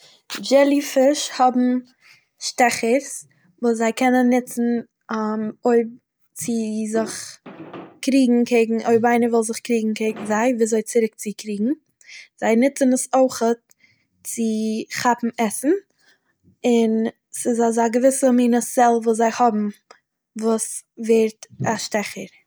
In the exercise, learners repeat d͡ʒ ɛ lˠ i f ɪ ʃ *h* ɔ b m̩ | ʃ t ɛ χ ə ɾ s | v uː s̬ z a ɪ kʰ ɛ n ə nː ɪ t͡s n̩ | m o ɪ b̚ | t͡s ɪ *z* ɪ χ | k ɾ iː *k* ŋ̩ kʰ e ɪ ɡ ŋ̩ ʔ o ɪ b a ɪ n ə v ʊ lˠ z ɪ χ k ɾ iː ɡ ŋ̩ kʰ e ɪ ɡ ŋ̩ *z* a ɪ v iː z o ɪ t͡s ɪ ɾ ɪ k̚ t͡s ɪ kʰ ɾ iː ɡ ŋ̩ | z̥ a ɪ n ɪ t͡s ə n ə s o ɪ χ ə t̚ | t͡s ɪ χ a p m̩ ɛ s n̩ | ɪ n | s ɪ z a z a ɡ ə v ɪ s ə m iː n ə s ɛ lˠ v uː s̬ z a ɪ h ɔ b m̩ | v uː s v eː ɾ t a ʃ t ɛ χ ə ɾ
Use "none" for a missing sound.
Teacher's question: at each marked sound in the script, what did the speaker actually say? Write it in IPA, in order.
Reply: h, z, ɡ, z

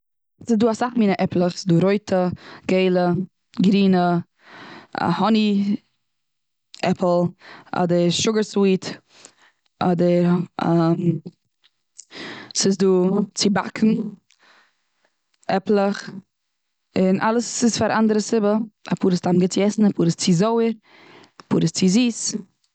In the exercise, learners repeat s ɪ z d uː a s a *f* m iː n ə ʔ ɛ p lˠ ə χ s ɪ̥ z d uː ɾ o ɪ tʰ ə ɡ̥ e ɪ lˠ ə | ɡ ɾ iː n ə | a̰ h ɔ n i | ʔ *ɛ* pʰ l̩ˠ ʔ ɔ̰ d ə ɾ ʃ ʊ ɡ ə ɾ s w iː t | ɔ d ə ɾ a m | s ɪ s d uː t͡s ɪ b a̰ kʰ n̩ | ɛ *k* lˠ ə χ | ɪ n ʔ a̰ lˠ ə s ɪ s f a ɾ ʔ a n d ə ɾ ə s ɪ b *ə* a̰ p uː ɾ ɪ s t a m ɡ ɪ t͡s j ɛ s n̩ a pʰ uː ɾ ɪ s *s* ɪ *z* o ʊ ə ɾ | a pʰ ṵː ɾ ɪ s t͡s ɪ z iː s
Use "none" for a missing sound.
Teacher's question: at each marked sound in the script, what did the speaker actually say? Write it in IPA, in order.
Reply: χ, ɛ, p, ə, t͡s, z

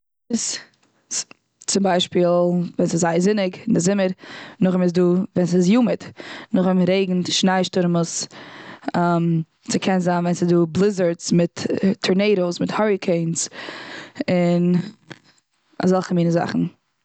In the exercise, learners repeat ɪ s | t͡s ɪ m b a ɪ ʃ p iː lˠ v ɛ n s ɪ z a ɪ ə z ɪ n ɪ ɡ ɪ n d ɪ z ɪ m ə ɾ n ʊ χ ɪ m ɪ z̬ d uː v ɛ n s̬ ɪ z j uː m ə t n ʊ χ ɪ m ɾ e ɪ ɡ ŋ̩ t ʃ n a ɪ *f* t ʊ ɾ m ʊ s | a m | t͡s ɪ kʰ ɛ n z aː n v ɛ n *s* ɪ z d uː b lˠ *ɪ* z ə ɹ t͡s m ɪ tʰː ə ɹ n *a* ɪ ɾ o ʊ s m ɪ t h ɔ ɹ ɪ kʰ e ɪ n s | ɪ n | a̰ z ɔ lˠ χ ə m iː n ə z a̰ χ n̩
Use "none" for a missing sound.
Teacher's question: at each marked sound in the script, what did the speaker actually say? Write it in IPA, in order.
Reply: ʃ, s, ɪ, e

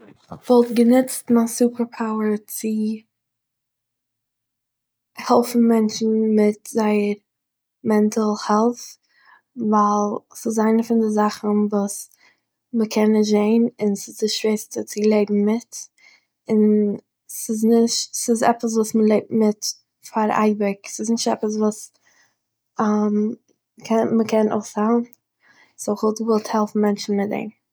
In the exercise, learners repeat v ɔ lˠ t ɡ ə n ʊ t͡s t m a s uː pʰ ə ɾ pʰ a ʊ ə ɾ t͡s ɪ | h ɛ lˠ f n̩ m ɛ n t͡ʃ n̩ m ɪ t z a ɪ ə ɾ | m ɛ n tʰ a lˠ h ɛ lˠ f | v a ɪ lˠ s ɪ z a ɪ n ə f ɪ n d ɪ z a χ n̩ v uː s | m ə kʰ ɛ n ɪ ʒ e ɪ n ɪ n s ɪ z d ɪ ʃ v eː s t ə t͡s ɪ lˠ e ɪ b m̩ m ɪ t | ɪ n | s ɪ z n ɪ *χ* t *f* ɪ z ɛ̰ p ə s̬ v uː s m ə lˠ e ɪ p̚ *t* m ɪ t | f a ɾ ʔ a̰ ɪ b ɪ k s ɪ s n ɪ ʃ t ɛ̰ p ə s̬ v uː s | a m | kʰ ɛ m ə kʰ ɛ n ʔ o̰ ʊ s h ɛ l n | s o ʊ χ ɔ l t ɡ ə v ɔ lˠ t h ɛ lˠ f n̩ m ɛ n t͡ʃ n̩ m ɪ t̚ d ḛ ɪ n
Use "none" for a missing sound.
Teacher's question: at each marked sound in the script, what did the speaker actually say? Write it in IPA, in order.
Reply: ʃ, s, t

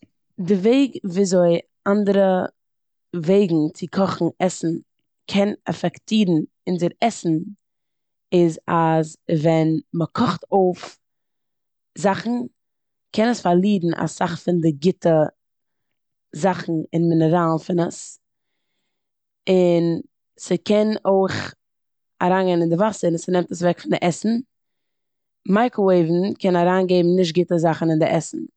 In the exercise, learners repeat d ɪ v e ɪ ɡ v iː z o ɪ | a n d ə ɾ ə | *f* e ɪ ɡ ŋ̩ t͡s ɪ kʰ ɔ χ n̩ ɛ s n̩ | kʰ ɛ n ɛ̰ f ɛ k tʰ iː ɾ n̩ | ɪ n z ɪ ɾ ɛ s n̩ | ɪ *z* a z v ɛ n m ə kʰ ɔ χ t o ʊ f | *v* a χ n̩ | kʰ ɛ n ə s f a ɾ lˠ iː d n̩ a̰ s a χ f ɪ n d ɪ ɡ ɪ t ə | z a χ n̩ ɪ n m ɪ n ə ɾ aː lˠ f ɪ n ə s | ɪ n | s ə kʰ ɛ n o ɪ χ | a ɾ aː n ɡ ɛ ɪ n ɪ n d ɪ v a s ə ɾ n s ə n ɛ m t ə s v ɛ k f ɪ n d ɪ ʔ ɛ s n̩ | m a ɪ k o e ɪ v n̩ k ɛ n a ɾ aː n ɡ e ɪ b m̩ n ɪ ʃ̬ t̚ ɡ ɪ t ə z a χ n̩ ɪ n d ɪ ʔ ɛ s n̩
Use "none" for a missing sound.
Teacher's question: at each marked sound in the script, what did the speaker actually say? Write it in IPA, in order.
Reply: v, z, z

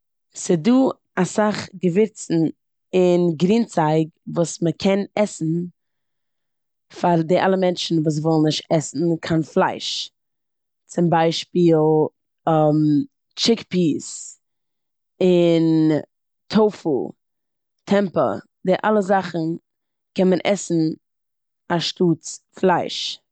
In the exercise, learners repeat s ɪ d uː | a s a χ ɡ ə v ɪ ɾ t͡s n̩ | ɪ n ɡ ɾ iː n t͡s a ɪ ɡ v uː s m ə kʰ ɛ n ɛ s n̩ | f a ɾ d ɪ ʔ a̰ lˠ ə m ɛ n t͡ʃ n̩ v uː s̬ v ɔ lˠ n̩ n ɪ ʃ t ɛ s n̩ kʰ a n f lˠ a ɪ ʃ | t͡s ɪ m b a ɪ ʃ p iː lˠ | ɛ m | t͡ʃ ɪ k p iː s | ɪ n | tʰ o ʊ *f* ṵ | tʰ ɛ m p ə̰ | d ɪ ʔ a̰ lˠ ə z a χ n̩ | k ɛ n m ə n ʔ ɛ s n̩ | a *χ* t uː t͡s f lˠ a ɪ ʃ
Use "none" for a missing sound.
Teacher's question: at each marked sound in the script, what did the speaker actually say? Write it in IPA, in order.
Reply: f, ʃ

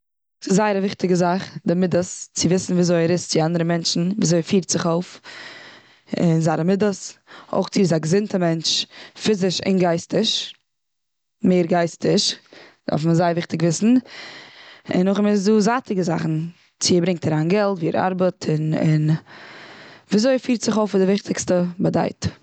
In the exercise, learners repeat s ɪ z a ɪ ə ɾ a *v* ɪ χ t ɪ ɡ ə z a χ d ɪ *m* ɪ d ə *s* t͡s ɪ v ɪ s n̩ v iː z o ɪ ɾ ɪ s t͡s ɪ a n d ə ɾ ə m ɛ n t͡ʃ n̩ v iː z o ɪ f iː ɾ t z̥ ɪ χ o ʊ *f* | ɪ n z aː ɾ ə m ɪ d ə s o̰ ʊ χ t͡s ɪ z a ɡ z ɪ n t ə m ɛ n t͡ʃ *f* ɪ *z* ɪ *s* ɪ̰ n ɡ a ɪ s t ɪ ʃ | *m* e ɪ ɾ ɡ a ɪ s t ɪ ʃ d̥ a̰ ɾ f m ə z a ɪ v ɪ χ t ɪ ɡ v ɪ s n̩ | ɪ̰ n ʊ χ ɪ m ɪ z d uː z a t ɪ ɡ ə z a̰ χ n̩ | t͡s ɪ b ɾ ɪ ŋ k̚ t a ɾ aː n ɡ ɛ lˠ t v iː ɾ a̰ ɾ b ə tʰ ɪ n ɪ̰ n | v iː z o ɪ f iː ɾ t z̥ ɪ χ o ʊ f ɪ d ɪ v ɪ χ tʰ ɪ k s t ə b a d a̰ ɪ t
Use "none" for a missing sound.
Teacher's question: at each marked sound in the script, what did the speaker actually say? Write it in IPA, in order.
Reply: v, m, s, f, f, z, ʃ, m

